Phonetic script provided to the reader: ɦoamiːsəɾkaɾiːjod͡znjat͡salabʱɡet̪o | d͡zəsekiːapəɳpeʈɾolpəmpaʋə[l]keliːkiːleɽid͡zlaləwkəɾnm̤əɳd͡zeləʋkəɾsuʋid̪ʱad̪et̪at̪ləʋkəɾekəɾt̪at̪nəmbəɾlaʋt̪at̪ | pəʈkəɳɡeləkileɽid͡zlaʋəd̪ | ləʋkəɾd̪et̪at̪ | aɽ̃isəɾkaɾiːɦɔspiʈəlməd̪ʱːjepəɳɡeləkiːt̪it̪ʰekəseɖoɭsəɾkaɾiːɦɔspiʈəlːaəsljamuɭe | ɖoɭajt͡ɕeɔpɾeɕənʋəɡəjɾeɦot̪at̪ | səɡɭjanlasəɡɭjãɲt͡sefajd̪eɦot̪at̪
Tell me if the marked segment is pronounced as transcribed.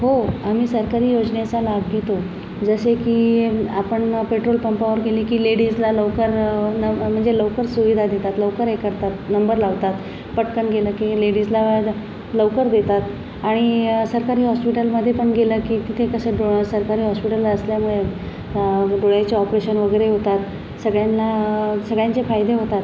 no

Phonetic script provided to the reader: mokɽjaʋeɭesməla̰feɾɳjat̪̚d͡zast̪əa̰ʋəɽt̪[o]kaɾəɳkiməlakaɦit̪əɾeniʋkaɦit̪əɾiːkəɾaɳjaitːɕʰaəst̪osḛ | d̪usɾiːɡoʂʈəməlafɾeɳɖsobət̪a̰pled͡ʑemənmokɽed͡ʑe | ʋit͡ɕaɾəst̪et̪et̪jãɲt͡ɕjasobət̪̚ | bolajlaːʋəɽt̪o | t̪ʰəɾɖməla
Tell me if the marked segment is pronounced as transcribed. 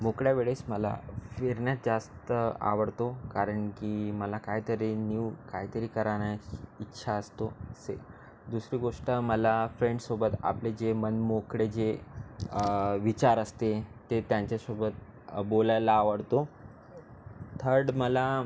yes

